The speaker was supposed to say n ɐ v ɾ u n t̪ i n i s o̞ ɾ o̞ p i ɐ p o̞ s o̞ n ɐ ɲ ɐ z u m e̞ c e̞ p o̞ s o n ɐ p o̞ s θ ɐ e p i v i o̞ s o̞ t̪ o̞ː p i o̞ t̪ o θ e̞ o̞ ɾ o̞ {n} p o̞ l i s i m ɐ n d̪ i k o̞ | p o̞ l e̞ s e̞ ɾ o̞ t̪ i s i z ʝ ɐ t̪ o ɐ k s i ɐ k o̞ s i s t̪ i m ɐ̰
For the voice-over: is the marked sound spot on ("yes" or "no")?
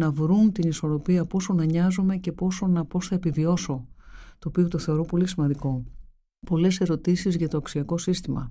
no